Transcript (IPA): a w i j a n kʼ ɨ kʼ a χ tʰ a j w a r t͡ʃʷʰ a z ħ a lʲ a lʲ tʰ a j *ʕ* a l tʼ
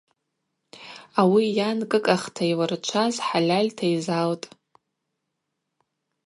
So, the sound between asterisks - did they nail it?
no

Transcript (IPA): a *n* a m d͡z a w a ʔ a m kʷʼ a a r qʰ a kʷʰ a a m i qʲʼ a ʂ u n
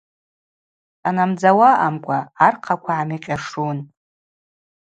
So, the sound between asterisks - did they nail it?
yes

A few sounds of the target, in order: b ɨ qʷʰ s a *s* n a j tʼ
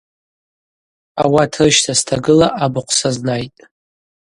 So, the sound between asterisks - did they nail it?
no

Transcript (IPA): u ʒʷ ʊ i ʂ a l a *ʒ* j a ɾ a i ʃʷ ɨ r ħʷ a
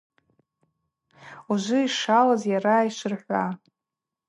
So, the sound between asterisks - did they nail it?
no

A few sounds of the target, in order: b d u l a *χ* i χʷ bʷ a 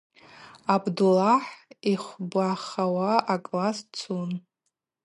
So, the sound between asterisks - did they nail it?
no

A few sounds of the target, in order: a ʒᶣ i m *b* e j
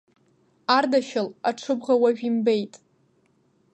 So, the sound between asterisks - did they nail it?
yes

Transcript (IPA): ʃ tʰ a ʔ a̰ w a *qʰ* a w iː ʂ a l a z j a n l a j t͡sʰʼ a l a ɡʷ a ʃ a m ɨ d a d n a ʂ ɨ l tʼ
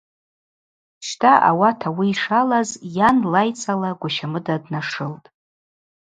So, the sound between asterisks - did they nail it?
no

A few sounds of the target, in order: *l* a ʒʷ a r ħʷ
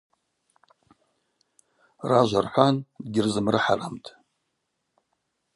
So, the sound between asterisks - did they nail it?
no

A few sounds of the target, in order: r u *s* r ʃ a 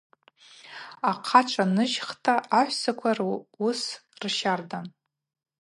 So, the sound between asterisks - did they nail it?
yes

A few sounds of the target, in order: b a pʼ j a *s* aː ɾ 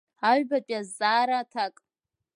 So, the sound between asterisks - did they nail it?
no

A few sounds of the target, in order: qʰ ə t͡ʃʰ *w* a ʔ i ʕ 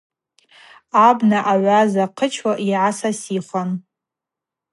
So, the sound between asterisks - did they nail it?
yes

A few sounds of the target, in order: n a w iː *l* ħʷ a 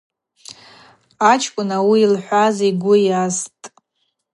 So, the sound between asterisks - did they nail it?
yes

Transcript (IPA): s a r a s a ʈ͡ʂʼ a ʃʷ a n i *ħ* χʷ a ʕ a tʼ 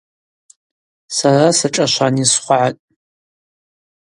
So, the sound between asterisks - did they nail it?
no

